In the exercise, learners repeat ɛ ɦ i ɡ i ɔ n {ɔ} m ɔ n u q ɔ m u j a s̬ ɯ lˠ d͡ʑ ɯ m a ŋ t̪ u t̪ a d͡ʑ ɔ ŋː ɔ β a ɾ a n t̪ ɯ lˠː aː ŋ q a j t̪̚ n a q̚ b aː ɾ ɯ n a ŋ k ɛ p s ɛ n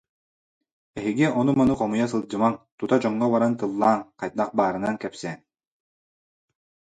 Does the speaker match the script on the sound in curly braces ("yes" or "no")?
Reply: no